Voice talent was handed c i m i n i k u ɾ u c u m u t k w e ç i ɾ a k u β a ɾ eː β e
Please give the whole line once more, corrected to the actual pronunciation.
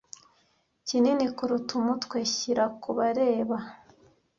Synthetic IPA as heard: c i n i n i k u ɾ u t u m u t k w e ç i ɾ a k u β a ɾ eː β a